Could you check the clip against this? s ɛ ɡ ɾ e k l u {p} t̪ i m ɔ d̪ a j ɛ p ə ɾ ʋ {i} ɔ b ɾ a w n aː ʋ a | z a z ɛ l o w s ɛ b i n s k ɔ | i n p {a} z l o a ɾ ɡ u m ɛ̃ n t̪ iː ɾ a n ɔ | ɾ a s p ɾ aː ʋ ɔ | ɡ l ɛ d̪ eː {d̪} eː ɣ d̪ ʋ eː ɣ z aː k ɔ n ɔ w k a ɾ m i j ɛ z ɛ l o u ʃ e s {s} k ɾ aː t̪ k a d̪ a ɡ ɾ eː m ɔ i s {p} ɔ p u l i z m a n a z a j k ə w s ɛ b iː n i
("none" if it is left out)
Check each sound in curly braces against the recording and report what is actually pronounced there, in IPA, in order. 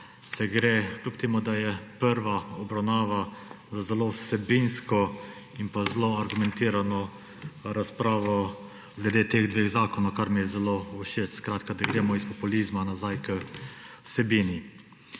p, a, a, t̪, s, p

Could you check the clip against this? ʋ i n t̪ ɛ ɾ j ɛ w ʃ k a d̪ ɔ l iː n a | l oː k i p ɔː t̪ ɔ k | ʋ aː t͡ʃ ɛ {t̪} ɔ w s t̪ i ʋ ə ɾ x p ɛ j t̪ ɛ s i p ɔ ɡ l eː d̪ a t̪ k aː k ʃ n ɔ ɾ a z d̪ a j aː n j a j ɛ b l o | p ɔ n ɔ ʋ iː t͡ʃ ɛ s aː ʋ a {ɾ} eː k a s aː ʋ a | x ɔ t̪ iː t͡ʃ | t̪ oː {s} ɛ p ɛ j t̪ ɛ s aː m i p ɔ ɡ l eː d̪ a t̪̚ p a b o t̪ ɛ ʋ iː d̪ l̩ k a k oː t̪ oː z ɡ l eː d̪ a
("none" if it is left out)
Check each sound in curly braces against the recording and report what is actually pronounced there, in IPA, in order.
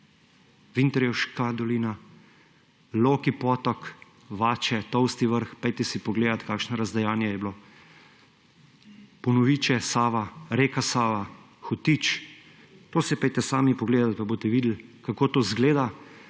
t̪, ɾ, s

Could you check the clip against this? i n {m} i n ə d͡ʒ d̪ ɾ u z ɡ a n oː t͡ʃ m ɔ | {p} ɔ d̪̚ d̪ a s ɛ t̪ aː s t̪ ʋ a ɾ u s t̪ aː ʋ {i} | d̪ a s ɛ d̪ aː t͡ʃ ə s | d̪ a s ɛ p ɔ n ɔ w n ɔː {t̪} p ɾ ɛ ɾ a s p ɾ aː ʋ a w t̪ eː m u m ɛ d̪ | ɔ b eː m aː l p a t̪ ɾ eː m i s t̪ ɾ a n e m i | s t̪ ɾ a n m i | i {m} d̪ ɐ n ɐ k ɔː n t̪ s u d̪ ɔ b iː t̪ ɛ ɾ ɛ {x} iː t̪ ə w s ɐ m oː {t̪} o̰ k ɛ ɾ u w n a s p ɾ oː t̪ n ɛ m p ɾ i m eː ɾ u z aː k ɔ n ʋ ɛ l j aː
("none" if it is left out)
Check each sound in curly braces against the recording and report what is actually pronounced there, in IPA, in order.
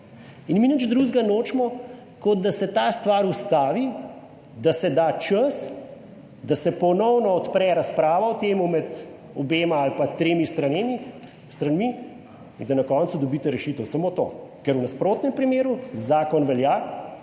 m, k, i, t̪, n, ʃ, t̪

